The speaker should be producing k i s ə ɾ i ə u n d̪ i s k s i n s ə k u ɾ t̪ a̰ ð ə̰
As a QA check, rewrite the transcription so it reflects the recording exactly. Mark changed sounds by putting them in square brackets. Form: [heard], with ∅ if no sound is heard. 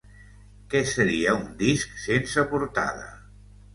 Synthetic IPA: k [ɛ] s ə ɾ i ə u n d̪ i s k s [e] n s ə [p] u ɾ t̪ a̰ ð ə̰